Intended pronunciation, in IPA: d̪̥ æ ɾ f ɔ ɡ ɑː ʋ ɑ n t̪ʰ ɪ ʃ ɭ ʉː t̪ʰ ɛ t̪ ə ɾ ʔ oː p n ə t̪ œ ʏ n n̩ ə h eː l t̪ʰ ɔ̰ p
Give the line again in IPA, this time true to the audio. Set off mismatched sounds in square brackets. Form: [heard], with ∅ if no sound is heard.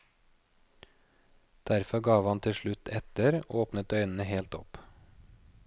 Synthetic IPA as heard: d̪̥ æ ɾ f ɔ ɡ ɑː ʋ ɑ n t̪ʰ ɪ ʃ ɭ [ʉ] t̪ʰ ɛ t̪ ə ɾ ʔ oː p n ə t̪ œ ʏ n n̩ ə h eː l [t̪] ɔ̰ p